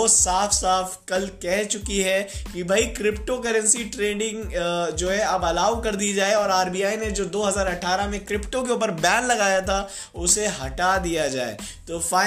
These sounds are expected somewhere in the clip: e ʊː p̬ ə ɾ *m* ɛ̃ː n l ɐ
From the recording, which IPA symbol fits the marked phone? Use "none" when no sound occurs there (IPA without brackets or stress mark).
b